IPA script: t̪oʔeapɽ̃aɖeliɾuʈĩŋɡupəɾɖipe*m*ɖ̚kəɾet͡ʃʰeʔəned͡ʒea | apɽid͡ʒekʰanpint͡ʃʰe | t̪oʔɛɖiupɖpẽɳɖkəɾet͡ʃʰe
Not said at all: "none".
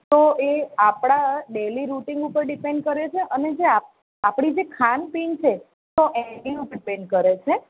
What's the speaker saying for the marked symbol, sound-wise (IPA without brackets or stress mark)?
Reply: ɳ